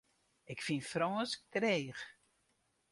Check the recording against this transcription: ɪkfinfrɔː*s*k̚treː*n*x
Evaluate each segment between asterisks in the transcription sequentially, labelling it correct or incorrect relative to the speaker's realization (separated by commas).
correct, incorrect